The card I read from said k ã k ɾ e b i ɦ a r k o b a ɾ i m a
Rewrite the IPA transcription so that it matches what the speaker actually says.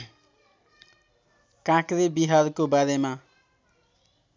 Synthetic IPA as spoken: k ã k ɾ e b i ɦ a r k o b a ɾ e m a